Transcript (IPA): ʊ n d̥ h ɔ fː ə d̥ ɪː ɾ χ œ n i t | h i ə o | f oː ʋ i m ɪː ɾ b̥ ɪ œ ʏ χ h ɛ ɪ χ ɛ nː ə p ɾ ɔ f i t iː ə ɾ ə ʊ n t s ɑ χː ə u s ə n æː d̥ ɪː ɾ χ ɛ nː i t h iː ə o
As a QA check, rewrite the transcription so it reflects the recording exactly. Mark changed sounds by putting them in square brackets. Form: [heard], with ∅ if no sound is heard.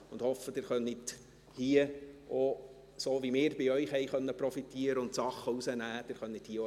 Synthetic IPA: ʊ n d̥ h ɔ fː ə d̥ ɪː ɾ χ œ n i t | h i ə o | [s] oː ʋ i m ɪː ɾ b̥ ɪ œ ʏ χ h ɛ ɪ χ [œ] nː ə p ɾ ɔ f i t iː ə ɾ ə ʊ n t s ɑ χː ə u s ə n æː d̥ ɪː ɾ χ [œ] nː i t h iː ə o

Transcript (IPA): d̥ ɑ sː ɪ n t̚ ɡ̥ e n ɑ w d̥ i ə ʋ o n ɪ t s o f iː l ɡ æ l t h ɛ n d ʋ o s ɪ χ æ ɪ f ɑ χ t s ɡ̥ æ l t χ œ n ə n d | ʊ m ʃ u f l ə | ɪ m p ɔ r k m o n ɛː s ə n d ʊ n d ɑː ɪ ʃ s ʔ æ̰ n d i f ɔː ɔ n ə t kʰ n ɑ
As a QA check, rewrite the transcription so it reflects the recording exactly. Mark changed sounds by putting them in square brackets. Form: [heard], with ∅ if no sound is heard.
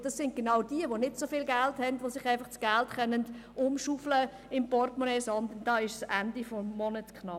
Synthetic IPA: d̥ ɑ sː ɪ n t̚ ɡ̥ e n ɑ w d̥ i ə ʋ o n ɪ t s o f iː l ɡ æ l t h ɛ n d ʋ o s ɪ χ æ ɪ f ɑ χ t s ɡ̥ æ l t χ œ n ə n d | ʊ m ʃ u f l ə | ɪ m p ɔ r [t] m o n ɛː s [ɑ] n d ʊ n d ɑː ɪ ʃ s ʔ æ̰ n d i f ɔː ɔ n ə t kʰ n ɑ

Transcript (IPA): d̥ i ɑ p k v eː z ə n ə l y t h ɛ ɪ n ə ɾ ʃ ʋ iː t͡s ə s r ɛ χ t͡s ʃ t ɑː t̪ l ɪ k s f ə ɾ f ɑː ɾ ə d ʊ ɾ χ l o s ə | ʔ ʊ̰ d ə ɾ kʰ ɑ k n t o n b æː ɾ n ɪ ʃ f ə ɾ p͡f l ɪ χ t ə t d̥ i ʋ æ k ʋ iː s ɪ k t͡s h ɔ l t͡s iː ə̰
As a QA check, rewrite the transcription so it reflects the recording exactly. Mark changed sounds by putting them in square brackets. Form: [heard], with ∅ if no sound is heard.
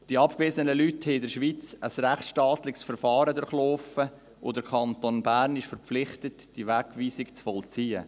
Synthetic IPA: d̥ i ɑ p k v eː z ə n ə l y t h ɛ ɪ [d] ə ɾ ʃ ʋ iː t͡s ə s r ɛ χ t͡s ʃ t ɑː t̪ l ɪ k s f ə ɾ f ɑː ɾ ə d ʊ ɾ χ l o [f] ə | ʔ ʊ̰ d ə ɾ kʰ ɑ [∅] n t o n b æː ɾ n ɪ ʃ f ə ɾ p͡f l ɪ χ t ə t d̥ i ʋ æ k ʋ iː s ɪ k t͡s [f] ɔ l t͡s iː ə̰

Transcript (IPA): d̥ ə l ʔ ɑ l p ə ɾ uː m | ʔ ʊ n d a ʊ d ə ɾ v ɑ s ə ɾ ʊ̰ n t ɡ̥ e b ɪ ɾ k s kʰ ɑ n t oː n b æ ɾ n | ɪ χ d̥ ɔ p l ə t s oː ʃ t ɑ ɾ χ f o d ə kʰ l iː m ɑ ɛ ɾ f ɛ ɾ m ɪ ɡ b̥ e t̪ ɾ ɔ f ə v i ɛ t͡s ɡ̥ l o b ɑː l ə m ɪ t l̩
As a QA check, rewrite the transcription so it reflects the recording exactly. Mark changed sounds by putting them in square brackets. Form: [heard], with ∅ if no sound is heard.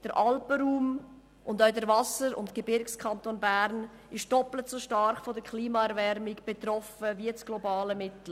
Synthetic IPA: d̥ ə [ɾ] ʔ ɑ l p ə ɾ uː m | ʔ ʊ n d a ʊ d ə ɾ v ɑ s ə ɾ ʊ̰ n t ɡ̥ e b ɪ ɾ k s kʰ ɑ n t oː n b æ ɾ n | ɪ [ʃ] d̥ ɔ p l ə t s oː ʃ t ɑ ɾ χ f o d ə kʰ l iː m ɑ ɛ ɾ [v] ɛ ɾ m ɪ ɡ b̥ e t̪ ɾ ɔ f ə v i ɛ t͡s ɡ̥ l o b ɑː l ə m ɪ t l̩

